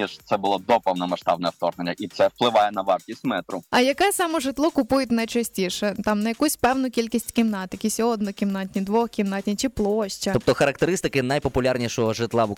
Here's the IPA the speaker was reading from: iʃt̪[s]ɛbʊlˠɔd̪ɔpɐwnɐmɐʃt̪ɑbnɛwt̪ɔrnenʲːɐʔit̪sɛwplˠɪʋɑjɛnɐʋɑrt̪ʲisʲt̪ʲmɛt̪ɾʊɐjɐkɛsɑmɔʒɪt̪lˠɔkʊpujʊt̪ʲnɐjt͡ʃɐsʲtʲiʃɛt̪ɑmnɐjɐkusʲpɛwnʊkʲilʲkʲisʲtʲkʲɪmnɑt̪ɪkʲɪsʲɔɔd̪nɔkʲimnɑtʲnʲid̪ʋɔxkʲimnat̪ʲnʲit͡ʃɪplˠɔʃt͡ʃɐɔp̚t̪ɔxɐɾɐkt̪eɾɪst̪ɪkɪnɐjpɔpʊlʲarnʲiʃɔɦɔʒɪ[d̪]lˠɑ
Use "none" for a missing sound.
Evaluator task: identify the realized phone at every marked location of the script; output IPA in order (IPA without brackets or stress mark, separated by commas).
s, t̪